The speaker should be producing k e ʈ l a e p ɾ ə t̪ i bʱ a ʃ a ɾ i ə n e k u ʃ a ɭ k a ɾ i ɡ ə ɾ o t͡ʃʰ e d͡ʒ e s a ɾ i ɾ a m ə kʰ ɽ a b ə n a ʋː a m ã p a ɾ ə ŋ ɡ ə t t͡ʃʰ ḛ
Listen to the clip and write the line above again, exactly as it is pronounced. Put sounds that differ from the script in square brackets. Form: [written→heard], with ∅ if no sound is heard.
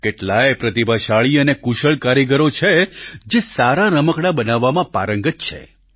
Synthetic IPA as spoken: k e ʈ l a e p ɾ ə t̪ i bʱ a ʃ a [ɾ→ɭ] i ə n e k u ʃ [a→ə] ɭ k a ɾ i ɡ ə ɾ o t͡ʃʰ e d͡ʒ e s a ɾ [i→a] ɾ [a→ə] m ə [kʰ→k] ɽ a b ə n a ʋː a m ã p a ɾ ə ŋ ɡ ə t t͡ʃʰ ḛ